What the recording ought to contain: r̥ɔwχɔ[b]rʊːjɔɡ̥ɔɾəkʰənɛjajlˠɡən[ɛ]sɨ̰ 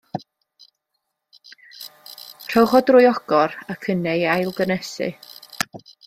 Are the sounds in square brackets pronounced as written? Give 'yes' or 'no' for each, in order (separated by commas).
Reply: no, yes